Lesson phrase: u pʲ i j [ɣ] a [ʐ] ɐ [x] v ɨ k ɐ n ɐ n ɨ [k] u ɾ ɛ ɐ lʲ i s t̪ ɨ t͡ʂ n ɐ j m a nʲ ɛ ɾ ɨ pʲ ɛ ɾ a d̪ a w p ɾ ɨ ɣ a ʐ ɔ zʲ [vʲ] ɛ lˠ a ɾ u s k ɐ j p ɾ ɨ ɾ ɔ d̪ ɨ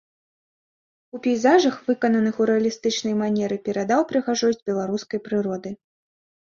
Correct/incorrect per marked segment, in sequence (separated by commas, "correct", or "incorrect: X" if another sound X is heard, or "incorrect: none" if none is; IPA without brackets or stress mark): incorrect: z, correct, correct, incorrect: x, incorrect: bʲ